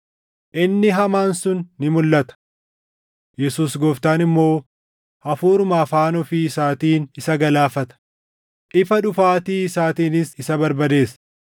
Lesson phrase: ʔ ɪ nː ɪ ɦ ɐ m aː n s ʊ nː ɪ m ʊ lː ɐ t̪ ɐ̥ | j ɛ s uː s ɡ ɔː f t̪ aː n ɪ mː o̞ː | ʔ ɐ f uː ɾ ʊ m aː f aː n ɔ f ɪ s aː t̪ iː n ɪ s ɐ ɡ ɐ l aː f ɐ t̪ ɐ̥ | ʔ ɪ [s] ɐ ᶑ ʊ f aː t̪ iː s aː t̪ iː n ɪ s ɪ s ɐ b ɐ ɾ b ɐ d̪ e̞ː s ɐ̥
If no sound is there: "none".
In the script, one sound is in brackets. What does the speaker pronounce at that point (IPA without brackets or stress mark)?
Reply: f